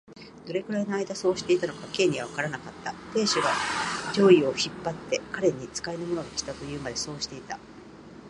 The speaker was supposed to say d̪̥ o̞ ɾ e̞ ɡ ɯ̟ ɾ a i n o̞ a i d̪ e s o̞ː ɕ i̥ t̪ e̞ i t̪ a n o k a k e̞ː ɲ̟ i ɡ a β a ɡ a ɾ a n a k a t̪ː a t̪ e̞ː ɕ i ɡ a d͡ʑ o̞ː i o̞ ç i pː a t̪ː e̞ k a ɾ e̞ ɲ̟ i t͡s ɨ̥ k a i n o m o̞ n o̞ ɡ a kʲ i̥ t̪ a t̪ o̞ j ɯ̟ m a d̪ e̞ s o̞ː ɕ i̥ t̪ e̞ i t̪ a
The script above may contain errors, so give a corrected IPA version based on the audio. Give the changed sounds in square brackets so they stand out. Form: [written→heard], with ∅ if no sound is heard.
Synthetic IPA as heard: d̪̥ o̞ ɾ e̞ ɡ ɯ̟ ɾ a i n o̞ a i d̪ [e→a] s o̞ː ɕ i̥ t̪ e̞ i t̪ a n o k a k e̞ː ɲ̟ i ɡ a β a [ɡ→k] a ɾ a n a k a t̪ː a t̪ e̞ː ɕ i ɡ a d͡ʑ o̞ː i o̞ ç i pː a t̪ː e̞ k a ɾ e̞ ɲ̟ i t͡s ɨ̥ k a i n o m o̞ n o̞ ɡ a kʲ i̥ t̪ a t̪ o̞ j [ɯ̟→ɯ̟ː] m a d̪ e̞ s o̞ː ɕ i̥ t̪ e̞ i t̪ a